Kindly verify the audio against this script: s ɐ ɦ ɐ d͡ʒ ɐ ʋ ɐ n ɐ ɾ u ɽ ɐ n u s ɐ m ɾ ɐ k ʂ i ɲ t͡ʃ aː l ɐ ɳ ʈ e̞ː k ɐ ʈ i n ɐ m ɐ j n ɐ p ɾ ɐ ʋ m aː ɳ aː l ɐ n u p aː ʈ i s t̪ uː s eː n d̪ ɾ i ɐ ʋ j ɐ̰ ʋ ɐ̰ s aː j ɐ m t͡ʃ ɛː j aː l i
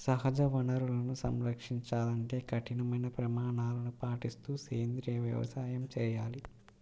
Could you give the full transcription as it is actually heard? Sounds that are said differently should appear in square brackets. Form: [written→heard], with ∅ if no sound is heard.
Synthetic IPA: s ɐ ɦ ɐ d͡ʒ ɐ ʋ ɐ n ɐ ɾ u [ɽ→l] ɐ n u s ɐ m ɾ ɐ k ʂ i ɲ t͡ʃ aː l ɐ ɳ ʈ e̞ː k ɐ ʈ i n ɐ m ɐ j n ɐ p ɾ ɐ [ʋ→∅] m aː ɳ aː l ɐ n u p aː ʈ i s t̪ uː s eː n d̪ ɾ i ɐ ʋ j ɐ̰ ʋ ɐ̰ s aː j ɐ m t͡ʃ ɛː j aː l i

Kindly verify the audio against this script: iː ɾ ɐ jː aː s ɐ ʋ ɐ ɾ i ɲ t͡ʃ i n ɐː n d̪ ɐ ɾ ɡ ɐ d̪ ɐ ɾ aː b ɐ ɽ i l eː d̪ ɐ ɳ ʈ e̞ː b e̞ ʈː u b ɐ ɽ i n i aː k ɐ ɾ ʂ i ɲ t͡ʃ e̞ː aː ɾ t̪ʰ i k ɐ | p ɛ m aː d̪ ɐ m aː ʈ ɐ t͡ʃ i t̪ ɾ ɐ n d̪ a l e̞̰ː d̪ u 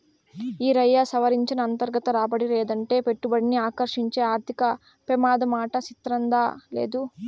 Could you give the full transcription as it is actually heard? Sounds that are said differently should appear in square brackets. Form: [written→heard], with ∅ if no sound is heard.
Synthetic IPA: iː ɾ ɐ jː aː s ɐ ʋ ɐ ɾ i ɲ t͡ʃ i n ɐː n [d̪→t̪] ɐ ɾ ɡ ɐ [d̪→t̪] ɐ ɾ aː b ɐ ɽ i l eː d̪ ɐ ɳ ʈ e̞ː [b→p] e̞ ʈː u b ɐ ɽ i n i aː k ɐ ɾ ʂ i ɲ t͡ʃ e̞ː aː ɾ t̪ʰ i k ɐ | p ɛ m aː d̪ ɐ m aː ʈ ɐ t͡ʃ i t̪ ɾ ɐ n d̪ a l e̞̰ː d̪ u

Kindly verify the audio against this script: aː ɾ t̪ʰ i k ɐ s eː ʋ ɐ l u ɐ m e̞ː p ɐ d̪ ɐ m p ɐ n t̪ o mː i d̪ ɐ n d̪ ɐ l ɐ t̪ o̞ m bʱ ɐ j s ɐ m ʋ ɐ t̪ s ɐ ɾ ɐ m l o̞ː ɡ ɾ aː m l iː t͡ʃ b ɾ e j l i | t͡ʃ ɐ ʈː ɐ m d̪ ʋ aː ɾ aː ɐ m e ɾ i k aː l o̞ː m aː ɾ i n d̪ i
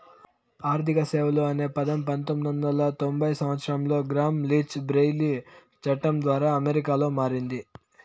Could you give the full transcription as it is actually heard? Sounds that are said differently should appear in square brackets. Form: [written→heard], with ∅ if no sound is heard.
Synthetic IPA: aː ɾ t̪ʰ i k ɐ s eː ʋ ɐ l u ɐ [m→n] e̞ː p ɐ d̪ ɐ m p ɐ n t̪ o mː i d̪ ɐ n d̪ ɐ l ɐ t̪ o̞ m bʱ ɐ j s ɐ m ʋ ɐ t̪ s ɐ ɾ ɐ m l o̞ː ɡ ɾ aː m l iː t͡ʃ b ɾ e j l i | t͡ʃ ɐ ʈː ɐ m d̪ ʋ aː ɾ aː ɐ m e ɾ i k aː l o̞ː m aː ɾ i n d̪ i

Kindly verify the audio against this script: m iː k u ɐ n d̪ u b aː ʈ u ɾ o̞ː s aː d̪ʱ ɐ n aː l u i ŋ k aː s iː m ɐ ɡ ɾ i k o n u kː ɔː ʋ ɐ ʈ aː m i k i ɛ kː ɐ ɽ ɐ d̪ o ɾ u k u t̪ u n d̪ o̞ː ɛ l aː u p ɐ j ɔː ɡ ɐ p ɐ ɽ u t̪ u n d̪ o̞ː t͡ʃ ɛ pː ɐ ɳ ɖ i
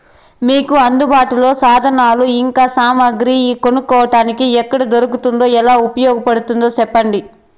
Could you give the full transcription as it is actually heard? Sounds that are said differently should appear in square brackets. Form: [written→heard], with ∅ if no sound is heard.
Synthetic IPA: m iː k u ɐ n d̪ u b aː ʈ u [ɾ→l] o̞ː s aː d̪ʱ ɐ n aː l u i ŋ k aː s [iː→aː] m ɐ ɡ ɾ i k o n u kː ɔː ʋ ɐ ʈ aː [m→n] i k i ɛ kː ɐ ɽ ɐ d̪ o ɾ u k u t̪ u n d̪ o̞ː ɛ l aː u p ɐ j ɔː ɡ ɐ p ɐ ɽ u t̪ u n d̪ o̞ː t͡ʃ ɛ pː ɐ ɳ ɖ i

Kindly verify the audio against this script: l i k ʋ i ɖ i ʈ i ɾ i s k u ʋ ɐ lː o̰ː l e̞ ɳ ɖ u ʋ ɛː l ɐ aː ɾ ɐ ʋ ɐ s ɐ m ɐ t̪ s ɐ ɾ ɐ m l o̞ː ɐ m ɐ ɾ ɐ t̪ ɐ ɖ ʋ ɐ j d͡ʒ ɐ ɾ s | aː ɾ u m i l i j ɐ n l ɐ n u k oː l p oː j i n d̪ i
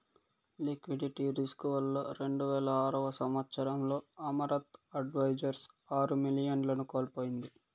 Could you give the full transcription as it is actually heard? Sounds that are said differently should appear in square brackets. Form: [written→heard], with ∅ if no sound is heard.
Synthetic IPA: l i k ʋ i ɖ i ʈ i ɾ i s k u ʋ ɐ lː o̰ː [l→ɾ] e̞ ɳ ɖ u ʋ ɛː l ɐ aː ɾ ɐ ʋ ɐ s ɐ m ɐ t̪ s ɐ ɾ ɐ m l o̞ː ɐ m ɐ ɾ ɐ t̪ ɐ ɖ ʋ ɐ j d͡ʒ ɐ ɾ s | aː ɾ u m i l i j ɐ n l ɐ n u k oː l p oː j i n d̪ i

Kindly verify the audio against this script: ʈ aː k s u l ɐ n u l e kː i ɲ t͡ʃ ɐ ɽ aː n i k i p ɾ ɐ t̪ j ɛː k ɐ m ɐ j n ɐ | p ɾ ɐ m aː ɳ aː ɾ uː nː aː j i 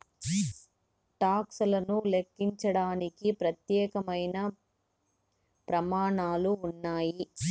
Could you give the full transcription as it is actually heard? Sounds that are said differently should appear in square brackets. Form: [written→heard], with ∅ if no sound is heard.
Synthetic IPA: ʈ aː k s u l ɐ n u l e kː i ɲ t͡ʃ ɐ ɽ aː n i k i p ɾ ɐ t̪ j ɛː k ɐ m ɐ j n ɐ | p ɾ ɐ m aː ɳ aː [ɾ→l] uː nː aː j i

